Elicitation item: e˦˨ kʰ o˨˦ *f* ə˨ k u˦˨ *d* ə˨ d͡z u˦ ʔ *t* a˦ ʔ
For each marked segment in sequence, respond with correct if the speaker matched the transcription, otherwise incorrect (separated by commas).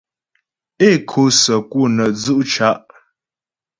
incorrect, incorrect, incorrect